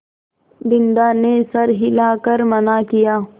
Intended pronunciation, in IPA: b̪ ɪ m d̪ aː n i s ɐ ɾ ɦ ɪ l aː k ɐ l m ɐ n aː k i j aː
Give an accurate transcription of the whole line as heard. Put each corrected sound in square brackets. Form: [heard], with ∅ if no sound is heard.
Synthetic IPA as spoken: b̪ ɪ [n] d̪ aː n [e] s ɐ ɾ ɦ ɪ l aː k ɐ [ɾ] m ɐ n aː k i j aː